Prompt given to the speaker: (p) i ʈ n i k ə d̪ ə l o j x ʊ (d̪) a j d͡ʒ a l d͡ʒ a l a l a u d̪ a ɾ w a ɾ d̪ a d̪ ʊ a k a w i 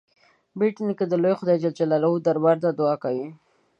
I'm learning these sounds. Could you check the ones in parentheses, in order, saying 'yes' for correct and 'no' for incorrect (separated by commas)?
no, yes